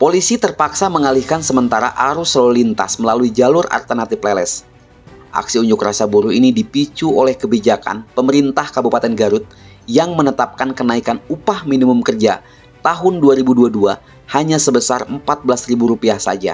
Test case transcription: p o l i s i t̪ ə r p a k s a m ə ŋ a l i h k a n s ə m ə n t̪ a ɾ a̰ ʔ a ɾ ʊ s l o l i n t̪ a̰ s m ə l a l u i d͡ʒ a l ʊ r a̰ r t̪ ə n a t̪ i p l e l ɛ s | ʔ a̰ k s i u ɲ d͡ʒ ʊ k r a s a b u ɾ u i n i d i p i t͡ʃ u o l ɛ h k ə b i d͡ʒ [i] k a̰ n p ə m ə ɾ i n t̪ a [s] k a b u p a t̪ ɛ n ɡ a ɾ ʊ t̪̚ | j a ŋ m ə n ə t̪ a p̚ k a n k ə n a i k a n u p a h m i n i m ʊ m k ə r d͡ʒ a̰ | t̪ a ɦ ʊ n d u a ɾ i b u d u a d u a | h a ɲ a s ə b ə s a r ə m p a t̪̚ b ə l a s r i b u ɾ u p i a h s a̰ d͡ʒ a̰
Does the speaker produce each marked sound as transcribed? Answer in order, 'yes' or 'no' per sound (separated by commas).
no, no